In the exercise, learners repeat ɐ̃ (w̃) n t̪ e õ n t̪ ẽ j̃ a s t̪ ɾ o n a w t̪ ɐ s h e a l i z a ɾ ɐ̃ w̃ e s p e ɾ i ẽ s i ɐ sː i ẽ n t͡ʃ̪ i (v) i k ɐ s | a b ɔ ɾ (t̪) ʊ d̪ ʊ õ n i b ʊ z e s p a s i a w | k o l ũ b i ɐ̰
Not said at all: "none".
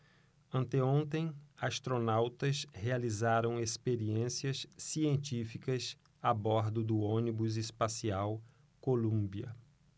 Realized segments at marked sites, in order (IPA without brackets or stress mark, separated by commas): none, f, d̪